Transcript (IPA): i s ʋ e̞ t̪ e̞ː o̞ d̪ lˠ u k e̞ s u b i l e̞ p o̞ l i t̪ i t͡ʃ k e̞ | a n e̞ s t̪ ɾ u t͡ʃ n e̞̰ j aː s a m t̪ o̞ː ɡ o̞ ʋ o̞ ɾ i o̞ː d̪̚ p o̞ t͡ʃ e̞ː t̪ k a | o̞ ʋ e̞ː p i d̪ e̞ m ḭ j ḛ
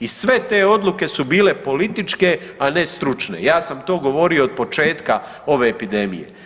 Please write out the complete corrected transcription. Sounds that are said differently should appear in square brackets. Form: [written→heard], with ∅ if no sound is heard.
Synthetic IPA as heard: i s ʋ e̞ t̪ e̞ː o̞ d̪ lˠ u k e̞ s u b [i→iː] l e̞ p o̞ l i t̪ i t͡ʃ k e̞ | a n e̞ s t̪ ɾ u t͡ʃ n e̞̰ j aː s a m t̪ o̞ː ɡ o̞ ʋ o̞ ɾ i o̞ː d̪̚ p o̞ t͡ʃ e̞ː t̪ k a | o̞ ʋ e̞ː p i d̪ e̞ m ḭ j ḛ